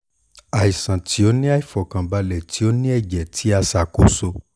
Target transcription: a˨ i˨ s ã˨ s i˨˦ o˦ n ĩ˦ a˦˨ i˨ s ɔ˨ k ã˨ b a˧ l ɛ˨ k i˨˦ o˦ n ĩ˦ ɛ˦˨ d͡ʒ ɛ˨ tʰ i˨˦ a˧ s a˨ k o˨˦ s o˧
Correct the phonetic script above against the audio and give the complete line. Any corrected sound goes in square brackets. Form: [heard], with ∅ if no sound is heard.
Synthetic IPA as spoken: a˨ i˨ s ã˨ [t] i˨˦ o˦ n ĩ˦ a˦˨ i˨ [f] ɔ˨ k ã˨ b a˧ l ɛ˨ [t] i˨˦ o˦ n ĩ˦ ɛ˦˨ d͡ʒ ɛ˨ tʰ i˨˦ a˧ s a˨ k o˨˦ s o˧